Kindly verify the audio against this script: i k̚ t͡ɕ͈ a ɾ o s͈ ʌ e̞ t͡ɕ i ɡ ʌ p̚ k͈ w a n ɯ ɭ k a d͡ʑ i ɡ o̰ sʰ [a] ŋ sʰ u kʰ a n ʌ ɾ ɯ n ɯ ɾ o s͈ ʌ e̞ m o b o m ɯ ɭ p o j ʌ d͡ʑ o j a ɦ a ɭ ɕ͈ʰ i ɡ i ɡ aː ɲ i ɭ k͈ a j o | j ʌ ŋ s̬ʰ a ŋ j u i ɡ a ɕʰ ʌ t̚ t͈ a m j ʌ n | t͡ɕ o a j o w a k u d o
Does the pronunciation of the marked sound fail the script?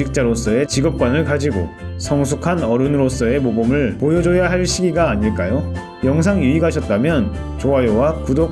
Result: yes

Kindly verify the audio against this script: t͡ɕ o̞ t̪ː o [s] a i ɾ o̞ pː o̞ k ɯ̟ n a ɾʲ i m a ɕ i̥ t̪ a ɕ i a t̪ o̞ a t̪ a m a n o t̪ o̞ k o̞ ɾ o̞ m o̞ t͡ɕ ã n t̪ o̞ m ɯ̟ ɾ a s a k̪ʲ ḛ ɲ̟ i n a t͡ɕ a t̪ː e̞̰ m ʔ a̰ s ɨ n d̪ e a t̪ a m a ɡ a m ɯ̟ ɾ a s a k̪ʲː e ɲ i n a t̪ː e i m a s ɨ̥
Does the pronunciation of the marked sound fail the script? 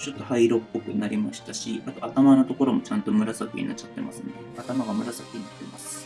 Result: yes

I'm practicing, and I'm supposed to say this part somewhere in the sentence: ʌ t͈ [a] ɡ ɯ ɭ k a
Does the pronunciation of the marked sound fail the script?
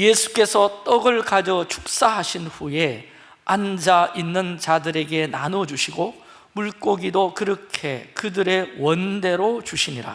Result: yes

